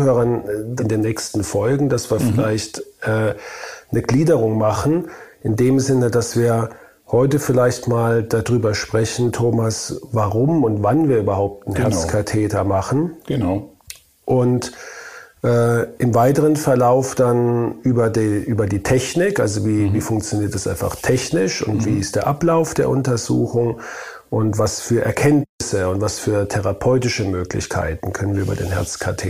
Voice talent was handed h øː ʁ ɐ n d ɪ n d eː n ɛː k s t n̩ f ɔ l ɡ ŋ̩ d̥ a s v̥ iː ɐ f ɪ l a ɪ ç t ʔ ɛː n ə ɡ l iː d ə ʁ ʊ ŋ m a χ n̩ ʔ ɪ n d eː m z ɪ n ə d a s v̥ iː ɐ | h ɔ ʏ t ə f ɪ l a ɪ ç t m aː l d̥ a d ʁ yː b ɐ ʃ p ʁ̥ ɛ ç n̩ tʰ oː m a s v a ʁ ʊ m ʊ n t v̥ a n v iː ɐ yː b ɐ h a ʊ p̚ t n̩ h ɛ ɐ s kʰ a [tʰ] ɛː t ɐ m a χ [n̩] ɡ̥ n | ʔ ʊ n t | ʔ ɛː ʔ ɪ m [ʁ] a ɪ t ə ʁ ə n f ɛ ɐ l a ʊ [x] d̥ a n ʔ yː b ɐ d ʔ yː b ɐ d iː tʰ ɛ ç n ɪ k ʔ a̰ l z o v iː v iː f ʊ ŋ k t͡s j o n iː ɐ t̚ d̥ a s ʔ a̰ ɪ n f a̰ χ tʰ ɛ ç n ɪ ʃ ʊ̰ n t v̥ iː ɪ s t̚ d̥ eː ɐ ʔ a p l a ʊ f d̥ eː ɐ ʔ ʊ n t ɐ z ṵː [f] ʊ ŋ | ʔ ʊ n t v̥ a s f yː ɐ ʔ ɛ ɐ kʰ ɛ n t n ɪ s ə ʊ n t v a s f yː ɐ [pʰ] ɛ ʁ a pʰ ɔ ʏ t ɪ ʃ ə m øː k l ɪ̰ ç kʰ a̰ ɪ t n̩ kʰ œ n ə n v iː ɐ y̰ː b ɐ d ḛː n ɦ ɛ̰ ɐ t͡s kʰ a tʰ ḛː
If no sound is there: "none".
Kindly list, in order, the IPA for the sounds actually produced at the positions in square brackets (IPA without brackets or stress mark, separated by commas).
tʰ, n̩, v, f, x, tʰ